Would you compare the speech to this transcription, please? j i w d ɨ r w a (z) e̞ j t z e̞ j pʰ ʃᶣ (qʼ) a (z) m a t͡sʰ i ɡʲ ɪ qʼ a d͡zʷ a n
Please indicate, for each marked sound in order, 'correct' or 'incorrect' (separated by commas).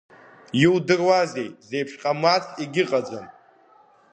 correct, correct, incorrect